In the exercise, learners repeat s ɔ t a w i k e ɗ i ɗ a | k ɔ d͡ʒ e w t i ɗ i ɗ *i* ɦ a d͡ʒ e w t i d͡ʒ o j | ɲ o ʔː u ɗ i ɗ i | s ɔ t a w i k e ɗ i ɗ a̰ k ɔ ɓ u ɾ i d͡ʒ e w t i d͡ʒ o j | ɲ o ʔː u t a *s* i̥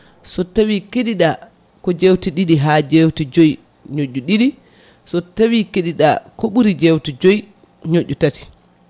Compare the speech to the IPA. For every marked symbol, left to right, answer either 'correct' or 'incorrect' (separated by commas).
correct, incorrect